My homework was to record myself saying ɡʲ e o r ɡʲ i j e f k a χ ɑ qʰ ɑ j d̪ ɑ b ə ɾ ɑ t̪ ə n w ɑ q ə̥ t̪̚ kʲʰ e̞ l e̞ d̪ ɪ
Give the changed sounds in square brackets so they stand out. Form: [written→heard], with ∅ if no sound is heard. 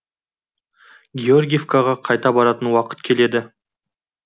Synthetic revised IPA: ɡʲ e o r ɡʲ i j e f k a [χ→ʁ] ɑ qʰ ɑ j [d̪→t̪] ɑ b [ə→ɑ] ɾ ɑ t̪ ə n w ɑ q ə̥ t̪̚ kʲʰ e̞ l e̞ d̪ ɪ